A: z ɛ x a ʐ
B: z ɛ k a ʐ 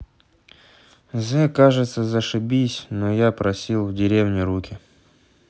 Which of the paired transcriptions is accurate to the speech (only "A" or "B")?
B